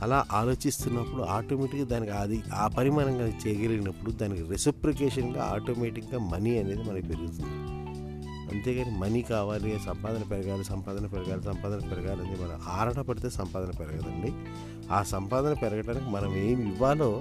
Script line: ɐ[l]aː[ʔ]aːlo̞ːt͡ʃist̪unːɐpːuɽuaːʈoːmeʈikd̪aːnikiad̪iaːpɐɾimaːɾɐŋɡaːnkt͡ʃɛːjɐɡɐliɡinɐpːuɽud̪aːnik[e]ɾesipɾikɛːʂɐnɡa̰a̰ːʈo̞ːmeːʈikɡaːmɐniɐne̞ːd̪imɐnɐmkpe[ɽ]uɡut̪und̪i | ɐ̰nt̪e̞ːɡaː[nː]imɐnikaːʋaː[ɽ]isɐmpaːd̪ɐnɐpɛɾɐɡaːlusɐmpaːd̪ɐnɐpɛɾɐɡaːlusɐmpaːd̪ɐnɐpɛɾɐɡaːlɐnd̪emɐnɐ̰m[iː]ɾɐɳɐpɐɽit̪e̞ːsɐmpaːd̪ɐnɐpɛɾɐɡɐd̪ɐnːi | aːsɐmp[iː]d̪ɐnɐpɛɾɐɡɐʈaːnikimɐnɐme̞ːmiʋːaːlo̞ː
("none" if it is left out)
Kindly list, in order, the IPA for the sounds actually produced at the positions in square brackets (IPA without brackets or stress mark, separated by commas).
l, ʔ, i, ɾ, n, l, aː, aː